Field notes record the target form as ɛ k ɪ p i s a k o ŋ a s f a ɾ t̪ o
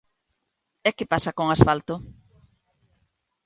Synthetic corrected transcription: ɛ k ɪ p a s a k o ŋ a s f a l t̪ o